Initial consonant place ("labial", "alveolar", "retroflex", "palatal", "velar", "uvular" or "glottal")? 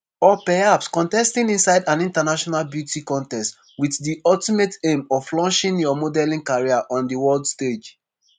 labial